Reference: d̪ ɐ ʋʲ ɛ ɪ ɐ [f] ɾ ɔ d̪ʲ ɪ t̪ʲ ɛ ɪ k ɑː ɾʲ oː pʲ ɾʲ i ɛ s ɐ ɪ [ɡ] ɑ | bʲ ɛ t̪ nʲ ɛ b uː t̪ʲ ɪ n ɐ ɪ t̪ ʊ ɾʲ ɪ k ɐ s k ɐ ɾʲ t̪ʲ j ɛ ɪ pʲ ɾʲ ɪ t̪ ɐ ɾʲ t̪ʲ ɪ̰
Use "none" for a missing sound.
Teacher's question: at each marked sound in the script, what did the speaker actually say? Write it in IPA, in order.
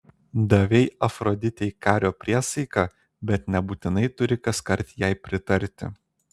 f, k

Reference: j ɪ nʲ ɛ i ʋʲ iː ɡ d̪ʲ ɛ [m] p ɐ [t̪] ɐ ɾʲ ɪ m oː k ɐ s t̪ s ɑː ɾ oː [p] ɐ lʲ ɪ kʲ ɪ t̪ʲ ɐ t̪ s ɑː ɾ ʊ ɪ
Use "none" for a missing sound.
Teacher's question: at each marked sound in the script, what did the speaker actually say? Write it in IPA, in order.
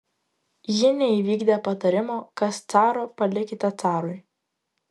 none, t̪, p

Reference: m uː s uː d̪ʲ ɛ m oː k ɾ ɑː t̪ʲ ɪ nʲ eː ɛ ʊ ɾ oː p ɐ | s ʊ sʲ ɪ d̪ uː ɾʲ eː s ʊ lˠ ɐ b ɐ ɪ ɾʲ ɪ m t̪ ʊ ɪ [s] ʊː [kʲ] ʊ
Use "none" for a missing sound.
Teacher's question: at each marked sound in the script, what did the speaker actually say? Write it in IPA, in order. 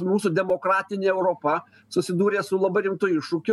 ʃ, kʲ

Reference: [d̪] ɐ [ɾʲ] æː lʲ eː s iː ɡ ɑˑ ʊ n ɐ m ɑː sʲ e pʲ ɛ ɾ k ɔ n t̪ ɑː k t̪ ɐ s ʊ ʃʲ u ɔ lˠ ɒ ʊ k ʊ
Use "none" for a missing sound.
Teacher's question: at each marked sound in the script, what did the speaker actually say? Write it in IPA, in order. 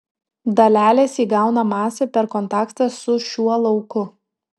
d̪, lʲ

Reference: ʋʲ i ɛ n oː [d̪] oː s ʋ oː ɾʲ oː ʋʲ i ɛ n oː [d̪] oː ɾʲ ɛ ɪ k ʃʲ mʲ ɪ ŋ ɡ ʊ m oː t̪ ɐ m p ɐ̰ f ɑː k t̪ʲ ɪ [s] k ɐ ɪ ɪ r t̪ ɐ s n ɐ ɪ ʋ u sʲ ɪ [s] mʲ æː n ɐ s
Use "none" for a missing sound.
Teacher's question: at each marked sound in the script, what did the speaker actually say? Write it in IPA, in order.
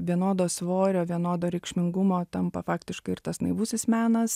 d̪, d̪, ʃ, s

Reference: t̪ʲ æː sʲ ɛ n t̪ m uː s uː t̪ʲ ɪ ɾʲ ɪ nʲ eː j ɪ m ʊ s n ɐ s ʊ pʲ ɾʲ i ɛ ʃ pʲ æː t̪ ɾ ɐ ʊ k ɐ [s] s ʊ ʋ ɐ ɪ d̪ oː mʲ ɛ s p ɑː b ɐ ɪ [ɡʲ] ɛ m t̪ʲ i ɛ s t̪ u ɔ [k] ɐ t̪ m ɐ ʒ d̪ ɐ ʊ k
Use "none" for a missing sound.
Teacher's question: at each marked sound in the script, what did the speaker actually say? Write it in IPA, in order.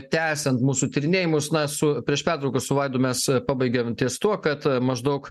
s, ɡʲ, k

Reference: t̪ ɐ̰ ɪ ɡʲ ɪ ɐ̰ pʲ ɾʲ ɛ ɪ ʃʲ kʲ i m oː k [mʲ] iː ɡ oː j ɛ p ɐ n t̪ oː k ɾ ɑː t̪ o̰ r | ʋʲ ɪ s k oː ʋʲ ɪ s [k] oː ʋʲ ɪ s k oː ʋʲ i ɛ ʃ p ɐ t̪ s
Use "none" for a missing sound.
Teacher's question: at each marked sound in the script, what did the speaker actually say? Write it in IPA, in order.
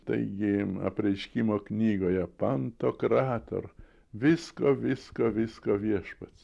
nʲ, k

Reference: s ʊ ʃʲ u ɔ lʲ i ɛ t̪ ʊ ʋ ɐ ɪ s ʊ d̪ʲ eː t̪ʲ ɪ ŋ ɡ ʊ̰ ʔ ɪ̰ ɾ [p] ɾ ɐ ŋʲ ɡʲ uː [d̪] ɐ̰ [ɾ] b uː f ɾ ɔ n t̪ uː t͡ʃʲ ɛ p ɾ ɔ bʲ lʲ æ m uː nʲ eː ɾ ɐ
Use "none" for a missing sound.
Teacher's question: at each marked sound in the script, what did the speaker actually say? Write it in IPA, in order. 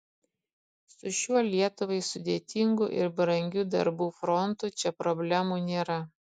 b, d̪, ɾ

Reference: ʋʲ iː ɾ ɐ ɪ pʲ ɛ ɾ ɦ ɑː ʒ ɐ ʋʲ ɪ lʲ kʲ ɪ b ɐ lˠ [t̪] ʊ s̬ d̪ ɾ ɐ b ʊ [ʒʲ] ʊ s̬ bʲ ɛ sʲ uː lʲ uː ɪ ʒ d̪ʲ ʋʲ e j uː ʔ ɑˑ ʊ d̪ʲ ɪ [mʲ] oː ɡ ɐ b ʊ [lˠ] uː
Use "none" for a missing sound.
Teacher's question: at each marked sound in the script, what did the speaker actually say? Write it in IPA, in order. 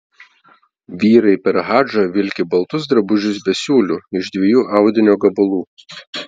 t̪, ʒʲ, nʲ, lˠ

